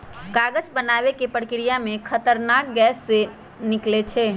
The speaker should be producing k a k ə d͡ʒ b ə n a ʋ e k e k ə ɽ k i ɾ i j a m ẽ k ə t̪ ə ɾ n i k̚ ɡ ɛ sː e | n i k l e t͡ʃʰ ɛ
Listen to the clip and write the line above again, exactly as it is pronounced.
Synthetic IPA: k a ɡ ə d͡ʒ b ə n a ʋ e k e p ə ɽ k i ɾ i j a m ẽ kʰ ə t̪ ə ɾ n a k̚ ɡ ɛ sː e | n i k l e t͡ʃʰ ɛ